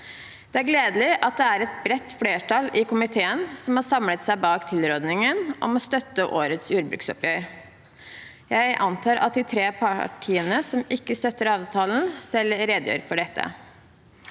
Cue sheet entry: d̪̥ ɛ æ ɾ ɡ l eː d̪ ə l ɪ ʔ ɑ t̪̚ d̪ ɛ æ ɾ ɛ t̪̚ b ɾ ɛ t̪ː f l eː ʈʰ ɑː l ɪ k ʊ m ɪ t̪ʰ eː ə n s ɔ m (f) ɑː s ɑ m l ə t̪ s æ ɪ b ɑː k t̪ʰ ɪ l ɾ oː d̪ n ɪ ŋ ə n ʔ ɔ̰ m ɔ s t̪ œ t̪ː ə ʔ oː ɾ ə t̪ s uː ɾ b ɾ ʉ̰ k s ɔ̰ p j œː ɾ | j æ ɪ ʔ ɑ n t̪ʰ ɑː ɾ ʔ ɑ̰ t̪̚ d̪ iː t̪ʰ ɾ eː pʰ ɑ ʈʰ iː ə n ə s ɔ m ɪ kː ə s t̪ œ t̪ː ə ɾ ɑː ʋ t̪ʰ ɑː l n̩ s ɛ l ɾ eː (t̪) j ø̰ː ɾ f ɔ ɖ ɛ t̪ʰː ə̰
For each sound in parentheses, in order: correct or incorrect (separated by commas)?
incorrect, incorrect